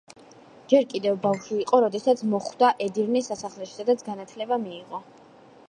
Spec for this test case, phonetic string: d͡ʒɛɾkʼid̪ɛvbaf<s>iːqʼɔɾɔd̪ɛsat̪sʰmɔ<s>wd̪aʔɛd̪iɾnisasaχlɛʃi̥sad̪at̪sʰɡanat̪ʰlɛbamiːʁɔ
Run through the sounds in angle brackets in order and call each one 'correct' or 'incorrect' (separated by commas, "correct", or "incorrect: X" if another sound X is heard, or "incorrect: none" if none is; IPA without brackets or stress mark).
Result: incorrect: ʃ, incorrect: χ